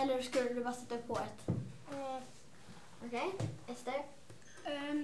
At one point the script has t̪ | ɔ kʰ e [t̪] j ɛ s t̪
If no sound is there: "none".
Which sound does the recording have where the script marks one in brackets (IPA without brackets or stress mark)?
none